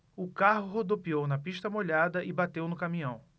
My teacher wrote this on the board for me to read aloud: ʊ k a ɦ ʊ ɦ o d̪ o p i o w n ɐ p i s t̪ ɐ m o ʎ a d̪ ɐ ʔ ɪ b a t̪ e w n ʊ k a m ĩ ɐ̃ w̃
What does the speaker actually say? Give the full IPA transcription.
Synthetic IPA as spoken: ʊ k a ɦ ʊ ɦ o d̪ o p i o w n ɐ p i ʃ t̪ ɐ m o ʎ a d̪ ɐ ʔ ɪ b a t̪ e w n ʊ k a m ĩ ɐ̃ w̃